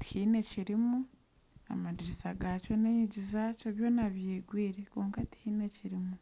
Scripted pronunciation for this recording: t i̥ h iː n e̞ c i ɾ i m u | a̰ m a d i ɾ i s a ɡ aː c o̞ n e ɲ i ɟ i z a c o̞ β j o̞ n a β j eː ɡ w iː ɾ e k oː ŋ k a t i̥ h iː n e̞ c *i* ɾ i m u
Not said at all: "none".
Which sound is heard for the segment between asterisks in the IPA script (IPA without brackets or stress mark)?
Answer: i